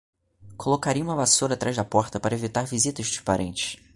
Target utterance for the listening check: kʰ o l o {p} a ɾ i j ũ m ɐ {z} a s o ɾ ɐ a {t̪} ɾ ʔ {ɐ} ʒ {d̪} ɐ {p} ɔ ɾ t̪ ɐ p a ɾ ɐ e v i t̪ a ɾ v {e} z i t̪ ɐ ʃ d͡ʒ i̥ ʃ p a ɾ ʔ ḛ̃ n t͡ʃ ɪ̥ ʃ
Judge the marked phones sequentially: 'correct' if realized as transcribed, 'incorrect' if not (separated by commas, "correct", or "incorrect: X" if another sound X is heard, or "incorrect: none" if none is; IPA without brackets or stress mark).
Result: incorrect: k, incorrect: v, correct, incorrect: a, correct, correct, incorrect: i